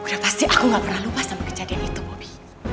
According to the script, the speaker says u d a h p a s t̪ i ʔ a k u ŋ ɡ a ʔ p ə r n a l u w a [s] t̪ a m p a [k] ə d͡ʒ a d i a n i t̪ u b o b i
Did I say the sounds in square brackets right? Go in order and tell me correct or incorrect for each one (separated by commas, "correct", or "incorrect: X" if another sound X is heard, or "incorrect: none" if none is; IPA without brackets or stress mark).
correct, correct